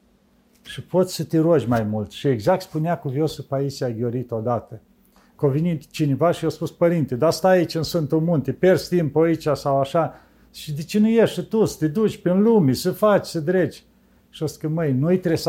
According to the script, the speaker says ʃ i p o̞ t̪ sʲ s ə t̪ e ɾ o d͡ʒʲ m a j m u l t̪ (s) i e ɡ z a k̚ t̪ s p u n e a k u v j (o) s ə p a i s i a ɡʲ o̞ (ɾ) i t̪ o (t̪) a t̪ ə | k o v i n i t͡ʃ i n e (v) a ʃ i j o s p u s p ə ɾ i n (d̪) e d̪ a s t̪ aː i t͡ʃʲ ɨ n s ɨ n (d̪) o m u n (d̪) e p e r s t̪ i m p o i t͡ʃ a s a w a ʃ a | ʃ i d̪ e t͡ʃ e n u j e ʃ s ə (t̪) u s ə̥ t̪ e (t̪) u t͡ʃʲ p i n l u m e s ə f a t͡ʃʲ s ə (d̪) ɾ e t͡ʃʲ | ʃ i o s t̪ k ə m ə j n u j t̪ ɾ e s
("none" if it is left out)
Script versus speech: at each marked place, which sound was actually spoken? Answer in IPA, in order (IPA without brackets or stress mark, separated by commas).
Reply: ʃ, o, ɾ, d̪, v, t̪, t̪, t̪, t̪, d̪, d̪